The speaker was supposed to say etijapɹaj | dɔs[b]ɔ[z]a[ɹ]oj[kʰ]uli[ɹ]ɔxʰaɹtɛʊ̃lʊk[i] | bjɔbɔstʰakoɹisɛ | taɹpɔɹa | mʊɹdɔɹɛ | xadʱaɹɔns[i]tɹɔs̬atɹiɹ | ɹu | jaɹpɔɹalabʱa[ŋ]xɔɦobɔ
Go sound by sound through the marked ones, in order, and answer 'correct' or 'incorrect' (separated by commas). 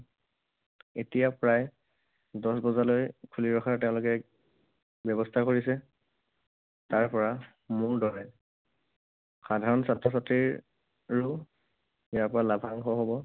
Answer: correct, correct, incorrect, correct, correct, incorrect, incorrect, correct